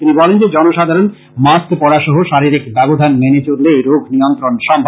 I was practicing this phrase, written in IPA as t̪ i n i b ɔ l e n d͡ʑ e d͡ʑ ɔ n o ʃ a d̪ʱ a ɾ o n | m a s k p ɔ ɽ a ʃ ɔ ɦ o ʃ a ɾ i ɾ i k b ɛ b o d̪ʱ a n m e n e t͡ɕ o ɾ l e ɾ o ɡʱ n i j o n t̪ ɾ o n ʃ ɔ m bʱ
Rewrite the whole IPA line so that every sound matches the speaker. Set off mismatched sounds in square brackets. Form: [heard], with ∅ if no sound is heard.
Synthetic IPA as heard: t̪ i n i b ɔ l e n d͡ʑ e d͡ʑ ɔ n o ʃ a d̪ʱ a ɾ o n | m a s k p ɔ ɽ a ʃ ɔ ɦ o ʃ a ɾ i ɾ i k b ɛ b o d̪ʱ a n m e n e t͡ɕ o ɾ l e ɾ o ɡʱ n i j o n t̪ ɾ o n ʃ ɔ m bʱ